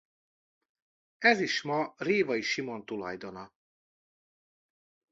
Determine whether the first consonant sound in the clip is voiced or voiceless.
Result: voiced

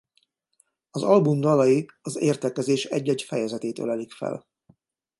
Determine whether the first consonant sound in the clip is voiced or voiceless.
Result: voiced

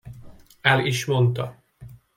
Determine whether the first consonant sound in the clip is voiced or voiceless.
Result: voiced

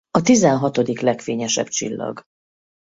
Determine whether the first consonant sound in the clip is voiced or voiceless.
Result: voiceless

